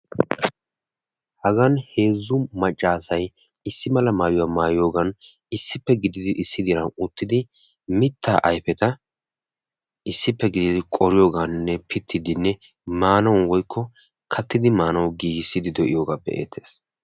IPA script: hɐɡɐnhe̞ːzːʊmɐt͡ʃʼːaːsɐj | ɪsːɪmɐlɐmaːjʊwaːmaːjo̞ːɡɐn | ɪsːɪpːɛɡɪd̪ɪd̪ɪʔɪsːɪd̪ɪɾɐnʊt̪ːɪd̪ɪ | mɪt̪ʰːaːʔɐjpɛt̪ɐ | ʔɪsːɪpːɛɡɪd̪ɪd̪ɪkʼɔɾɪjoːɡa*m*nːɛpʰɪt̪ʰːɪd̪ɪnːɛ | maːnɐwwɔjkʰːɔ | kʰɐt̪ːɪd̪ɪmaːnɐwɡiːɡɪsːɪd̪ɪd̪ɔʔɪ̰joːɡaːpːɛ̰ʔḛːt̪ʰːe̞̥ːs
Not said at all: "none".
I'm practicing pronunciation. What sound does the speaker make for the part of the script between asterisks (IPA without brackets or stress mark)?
n